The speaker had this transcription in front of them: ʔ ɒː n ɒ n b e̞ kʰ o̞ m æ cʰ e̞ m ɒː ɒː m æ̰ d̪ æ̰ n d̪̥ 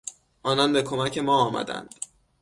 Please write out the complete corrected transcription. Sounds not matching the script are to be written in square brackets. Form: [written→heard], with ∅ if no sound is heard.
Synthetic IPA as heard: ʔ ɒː n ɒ n b e̞ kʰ o̞ m æ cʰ e̞ m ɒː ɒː m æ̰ d̪ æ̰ n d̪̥